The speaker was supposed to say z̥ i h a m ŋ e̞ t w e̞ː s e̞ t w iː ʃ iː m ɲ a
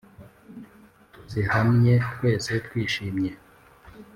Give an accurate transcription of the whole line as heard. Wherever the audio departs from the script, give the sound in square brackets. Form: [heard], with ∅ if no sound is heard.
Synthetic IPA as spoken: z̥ i h a m [ɲ] e̞ t w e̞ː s e̞ t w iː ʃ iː m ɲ [e]